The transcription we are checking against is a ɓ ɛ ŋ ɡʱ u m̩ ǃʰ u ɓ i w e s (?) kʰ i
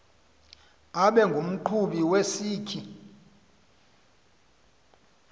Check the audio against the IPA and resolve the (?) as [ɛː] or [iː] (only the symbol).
iː